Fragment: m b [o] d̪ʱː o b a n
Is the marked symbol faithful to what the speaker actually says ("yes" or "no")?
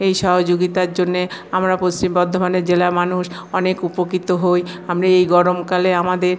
no